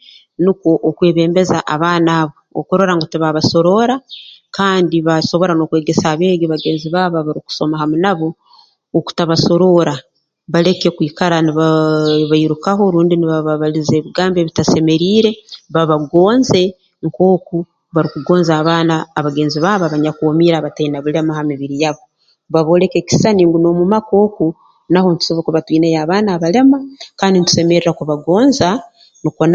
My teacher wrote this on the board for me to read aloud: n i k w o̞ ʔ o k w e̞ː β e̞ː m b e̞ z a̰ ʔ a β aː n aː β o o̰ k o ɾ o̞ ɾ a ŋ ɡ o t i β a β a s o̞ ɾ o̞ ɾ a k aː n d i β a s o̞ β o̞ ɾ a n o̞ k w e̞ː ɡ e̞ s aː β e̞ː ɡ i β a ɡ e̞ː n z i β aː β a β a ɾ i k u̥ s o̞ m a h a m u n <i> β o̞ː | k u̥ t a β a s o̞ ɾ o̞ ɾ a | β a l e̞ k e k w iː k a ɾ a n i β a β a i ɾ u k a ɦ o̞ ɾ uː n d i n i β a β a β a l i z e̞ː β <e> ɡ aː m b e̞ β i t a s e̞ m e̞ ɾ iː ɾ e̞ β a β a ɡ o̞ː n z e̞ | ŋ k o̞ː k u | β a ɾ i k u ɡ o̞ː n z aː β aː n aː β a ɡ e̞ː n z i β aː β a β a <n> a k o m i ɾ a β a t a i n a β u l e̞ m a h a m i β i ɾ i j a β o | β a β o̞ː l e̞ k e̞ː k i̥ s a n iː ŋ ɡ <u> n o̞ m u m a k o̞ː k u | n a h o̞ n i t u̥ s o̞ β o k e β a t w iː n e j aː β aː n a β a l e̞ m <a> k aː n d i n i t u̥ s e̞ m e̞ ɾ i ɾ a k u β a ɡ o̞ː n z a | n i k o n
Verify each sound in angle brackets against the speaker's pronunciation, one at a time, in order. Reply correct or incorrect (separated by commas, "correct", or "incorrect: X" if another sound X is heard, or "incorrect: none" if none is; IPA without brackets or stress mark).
incorrect: a, incorrect: i, incorrect: ɲ, correct, correct